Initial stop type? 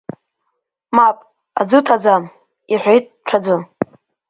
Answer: ejective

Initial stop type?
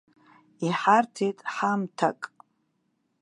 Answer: aspirated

